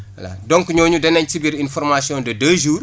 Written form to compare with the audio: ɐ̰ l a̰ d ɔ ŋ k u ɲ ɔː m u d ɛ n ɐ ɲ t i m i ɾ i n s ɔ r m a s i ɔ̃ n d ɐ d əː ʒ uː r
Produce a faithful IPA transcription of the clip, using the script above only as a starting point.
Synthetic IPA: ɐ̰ l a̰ d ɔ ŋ k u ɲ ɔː ɲ u d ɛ n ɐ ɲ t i b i ɾ i n f ɔ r m a s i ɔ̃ n d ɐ d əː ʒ uː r

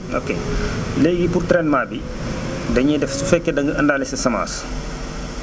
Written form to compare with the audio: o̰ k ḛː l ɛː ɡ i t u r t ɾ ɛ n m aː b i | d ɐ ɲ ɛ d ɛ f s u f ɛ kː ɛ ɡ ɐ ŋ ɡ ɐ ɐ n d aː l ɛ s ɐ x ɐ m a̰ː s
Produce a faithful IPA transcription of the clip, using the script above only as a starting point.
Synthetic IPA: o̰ k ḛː l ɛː ɡ i p u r t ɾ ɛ n m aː b i | d ɐ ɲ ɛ d ɛ f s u f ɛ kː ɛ d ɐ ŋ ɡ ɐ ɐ n d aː l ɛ s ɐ s ɐ m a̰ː s

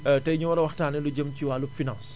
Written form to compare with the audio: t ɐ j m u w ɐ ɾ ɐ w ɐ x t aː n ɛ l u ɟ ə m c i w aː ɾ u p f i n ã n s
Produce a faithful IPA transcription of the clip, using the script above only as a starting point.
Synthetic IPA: t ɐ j ɲ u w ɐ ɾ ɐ w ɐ x t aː n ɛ l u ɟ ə m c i w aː l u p f i n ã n s

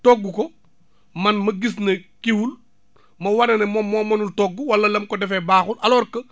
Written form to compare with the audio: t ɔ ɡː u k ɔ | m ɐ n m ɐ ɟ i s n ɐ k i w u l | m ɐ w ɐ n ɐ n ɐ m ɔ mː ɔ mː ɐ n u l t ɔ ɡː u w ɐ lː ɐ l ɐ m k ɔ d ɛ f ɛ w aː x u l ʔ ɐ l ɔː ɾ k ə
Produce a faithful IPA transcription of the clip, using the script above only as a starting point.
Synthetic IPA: t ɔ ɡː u k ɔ | m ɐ n m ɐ ɡ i s n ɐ k i w u l | m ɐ w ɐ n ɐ n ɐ m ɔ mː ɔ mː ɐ n u l t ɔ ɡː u w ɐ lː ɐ l ɐ m k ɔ d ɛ f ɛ b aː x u l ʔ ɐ l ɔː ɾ k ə

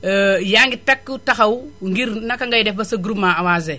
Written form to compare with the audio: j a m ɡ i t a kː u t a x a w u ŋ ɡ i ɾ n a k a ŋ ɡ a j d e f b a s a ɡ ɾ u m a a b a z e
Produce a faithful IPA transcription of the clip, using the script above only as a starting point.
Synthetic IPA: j a ŋ ɡ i t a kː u t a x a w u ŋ ɡ i ɾ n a k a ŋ ɡ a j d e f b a s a ɡ ɾ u m a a w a z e

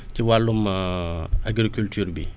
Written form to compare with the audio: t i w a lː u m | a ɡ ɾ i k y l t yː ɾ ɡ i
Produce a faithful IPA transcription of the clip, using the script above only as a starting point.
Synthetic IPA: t i w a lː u m | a ɡ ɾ i k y l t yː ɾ b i

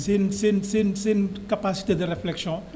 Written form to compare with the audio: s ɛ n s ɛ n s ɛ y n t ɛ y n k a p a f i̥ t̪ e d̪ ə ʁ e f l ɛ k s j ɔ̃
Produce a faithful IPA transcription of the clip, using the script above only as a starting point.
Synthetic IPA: s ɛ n s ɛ n s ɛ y n s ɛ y n k a p a s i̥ t̪ e d̪ ə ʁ e f l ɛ k s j ɔ̃

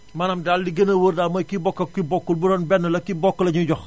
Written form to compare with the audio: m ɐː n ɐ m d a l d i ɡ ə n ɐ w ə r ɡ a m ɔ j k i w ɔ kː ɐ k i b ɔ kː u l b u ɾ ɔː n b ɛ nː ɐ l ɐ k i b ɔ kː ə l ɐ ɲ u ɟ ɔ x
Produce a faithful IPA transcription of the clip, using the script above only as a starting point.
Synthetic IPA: m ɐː n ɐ m d a l d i ɡ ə n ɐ w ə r d a m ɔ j k i b ɔ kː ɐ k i b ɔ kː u l b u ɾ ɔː n b ɛ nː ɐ l ɐ k i b ɔ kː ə l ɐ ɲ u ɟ ɔ x

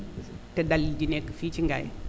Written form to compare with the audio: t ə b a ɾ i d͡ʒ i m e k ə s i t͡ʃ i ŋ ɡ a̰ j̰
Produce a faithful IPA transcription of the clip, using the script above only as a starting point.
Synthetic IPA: t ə d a l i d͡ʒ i n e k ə f i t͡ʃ i ŋ ɡ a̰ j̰

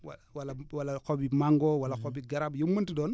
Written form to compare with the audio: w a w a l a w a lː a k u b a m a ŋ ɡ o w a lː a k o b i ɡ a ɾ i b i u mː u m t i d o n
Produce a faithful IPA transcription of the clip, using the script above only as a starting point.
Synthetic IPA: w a w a l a w a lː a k o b i m a ŋ ɡ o w a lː a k o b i ɡ a ɾ a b j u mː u n t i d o n

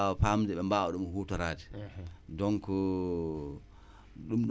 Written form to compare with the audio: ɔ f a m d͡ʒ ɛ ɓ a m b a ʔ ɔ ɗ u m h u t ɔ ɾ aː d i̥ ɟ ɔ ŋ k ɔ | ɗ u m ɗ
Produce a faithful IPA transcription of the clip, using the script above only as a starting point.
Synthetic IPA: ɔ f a m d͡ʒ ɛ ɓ ɛ m b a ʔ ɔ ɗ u m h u t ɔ ɾ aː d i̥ d ɔ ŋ k ɔ | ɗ u m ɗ

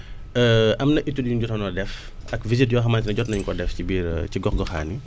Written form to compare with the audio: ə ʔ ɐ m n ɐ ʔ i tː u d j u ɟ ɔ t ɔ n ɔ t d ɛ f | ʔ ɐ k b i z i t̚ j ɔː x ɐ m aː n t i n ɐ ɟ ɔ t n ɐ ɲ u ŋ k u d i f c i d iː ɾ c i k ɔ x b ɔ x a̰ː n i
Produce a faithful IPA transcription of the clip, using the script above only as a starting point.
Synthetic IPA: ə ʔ ɐ m n ɐ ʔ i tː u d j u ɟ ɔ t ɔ n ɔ d ɛ f | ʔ ɐ k v i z i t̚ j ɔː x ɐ m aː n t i n ɐ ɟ ɔ t n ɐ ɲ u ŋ k ɔ d ɛ f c i b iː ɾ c i ɡ ɔ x ɡ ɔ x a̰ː n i

